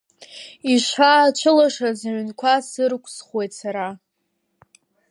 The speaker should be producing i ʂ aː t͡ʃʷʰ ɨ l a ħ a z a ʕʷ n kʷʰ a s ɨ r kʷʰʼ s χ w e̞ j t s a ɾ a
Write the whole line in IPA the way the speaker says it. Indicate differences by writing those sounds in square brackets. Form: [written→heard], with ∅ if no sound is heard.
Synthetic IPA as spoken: i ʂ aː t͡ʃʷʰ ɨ l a [ħ→ʂ] a z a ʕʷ n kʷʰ a s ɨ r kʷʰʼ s χ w e̞ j t s a ɾ a